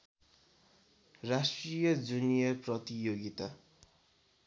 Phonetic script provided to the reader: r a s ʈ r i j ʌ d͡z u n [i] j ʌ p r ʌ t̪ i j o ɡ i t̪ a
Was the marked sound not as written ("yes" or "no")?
no